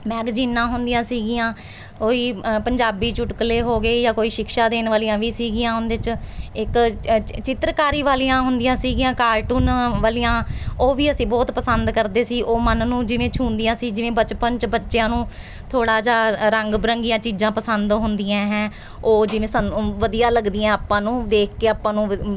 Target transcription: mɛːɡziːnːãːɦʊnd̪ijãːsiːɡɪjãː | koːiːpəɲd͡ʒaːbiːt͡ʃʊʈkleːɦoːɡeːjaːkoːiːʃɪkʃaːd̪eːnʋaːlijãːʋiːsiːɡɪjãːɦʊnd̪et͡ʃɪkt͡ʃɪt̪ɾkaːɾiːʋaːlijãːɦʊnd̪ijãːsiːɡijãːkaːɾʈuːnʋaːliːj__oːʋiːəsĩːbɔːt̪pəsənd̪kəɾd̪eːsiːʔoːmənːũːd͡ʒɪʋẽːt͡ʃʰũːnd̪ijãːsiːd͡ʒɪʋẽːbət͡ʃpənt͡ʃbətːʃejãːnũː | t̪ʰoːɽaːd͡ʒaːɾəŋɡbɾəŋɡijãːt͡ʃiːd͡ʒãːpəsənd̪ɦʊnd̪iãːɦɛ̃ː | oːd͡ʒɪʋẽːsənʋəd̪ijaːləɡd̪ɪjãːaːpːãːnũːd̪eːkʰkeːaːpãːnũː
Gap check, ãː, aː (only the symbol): ãː